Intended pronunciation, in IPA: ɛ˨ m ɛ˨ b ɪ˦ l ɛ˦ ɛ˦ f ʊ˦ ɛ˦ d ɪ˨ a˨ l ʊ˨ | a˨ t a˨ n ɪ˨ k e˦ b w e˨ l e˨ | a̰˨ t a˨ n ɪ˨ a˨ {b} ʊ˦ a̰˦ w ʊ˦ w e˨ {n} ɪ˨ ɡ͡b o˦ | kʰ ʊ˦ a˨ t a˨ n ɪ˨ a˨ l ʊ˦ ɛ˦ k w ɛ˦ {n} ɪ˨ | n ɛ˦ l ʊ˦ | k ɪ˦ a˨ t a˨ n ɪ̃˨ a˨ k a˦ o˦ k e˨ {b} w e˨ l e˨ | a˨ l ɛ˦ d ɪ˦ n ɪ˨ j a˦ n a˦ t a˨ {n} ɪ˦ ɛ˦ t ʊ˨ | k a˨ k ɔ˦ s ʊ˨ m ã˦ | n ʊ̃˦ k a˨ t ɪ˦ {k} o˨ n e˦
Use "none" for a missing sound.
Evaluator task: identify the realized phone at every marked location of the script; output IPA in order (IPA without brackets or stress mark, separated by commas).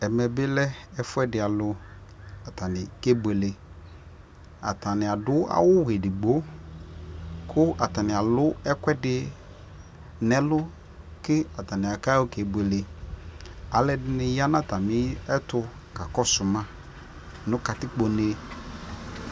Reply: d, d, d, b, m, k͡p